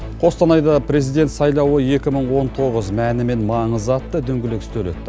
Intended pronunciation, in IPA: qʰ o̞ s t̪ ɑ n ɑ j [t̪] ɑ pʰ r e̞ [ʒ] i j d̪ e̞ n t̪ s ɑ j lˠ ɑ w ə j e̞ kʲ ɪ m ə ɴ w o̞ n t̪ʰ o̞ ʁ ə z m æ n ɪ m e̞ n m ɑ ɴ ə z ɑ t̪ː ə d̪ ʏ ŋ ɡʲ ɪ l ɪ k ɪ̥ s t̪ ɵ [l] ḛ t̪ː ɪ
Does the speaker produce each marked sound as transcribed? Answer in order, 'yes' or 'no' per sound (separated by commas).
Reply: no, no, yes